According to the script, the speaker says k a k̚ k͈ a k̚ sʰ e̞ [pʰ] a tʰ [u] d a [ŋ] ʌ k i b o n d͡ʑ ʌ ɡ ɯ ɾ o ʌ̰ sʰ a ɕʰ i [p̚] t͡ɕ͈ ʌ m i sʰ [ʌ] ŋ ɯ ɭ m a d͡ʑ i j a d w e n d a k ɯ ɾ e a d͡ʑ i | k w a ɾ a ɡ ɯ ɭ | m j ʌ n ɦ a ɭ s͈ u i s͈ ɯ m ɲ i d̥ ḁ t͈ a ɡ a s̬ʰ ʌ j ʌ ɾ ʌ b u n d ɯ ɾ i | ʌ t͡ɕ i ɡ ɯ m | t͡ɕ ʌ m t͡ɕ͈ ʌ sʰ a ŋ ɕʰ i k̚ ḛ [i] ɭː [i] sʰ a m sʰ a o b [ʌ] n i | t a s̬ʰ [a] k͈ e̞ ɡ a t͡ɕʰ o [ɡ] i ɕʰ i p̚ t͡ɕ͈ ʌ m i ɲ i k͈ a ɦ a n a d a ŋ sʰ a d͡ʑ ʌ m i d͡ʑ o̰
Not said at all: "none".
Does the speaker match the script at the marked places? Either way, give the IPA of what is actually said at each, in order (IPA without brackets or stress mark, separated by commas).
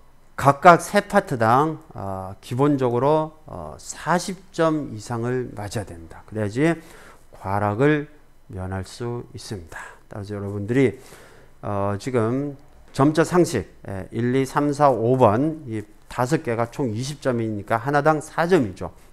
pʰ, ɯ, ŋ, p̚, a, i, i, ʌ, ʌ, ŋ